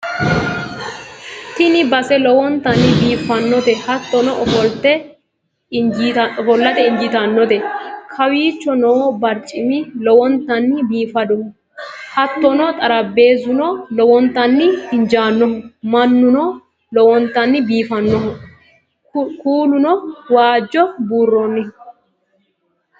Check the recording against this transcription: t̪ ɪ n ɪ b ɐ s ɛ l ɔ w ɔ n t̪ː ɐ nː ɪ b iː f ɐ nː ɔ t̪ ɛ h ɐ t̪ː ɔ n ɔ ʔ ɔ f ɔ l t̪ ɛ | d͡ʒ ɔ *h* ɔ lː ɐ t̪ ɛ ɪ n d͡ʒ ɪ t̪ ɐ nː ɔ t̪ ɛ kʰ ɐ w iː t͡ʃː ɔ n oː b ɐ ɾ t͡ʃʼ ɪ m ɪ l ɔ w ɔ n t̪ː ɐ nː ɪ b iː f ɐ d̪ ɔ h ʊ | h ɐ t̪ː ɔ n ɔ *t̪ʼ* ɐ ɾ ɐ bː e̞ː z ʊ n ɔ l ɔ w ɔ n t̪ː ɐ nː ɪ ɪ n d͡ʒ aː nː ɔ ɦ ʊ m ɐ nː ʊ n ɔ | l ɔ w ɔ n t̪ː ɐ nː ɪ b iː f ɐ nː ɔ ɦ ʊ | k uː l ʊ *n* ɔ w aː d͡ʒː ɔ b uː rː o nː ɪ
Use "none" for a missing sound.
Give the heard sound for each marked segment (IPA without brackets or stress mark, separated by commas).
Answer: f, t̪ʼ, n